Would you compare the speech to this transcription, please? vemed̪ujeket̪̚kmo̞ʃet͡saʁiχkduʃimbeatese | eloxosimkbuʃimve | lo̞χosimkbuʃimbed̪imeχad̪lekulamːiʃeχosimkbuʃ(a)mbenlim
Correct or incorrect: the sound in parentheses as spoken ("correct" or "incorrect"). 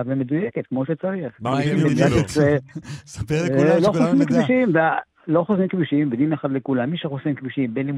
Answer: incorrect